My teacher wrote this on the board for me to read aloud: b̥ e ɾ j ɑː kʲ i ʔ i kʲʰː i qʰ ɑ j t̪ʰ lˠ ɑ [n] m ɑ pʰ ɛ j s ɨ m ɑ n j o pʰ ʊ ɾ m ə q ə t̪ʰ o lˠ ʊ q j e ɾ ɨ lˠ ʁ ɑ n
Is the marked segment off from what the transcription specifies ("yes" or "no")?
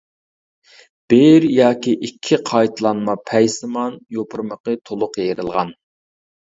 no